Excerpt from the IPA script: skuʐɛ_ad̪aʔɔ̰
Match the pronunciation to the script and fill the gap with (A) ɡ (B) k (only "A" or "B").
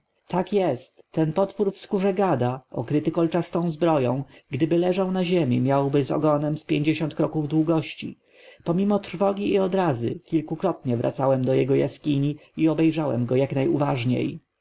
A